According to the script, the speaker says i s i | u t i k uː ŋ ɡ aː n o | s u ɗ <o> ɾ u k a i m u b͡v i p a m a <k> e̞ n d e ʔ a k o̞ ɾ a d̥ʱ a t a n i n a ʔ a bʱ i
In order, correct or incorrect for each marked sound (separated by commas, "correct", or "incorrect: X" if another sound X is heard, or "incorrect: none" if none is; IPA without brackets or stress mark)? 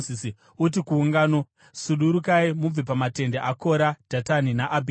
incorrect: u, incorrect: t